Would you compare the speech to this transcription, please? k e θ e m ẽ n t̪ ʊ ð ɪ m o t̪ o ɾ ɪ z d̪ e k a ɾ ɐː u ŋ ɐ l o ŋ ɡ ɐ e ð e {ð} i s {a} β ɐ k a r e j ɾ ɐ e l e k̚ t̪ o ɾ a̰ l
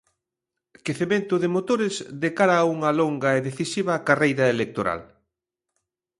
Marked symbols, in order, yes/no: no, no

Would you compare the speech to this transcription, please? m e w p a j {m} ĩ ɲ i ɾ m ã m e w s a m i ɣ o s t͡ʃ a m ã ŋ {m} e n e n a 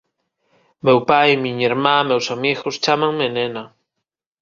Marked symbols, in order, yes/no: yes, yes

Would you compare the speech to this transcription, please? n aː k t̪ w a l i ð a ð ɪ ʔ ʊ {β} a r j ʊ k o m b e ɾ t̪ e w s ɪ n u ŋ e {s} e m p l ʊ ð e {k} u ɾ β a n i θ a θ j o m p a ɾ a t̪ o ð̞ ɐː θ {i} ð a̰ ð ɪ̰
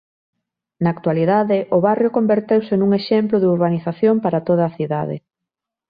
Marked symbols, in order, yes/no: yes, no, no, yes

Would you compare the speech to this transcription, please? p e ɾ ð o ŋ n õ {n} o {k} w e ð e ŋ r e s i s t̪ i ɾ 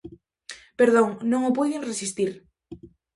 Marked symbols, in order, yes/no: no, no

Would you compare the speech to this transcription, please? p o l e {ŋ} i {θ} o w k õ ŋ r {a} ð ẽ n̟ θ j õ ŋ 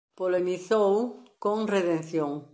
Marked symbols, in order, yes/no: no, yes, no

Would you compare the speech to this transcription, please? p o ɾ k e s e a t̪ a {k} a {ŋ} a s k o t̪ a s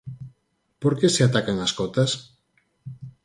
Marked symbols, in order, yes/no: yes, yes

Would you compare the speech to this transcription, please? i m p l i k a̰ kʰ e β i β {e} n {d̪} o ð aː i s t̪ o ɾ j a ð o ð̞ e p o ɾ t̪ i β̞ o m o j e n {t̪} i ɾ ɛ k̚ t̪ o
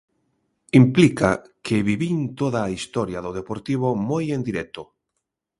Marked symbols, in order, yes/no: no, no, no

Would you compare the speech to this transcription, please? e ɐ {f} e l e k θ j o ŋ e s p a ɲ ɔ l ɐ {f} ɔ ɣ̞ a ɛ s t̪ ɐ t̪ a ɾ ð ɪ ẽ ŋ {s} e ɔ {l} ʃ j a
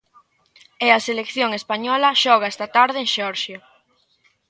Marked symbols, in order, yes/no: no, no, no, no

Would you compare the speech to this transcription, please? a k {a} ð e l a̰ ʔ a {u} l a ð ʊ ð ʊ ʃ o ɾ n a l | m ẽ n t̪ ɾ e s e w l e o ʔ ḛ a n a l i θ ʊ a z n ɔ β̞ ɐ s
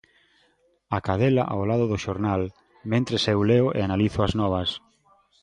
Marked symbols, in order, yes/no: yes, no

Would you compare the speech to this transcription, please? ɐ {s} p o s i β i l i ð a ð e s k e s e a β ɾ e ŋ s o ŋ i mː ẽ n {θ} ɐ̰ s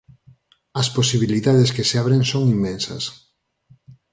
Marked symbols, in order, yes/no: yes, no

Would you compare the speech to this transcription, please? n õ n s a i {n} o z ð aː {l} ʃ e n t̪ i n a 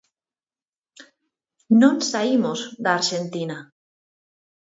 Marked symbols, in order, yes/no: no, no

